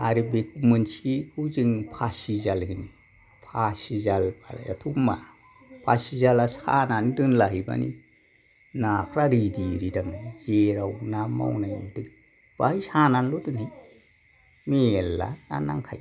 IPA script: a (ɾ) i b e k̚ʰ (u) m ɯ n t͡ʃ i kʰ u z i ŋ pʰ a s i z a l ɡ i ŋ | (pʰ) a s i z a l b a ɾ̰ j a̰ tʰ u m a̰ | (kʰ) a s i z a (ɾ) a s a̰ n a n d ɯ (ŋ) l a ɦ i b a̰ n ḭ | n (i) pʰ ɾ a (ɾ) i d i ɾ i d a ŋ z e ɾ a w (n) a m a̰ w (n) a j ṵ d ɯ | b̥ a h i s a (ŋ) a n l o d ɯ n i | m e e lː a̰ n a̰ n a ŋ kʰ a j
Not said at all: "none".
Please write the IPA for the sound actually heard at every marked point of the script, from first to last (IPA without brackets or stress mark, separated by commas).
ɾ, u, pʰ, pʰ, l, n, a, ɾ, n, n, n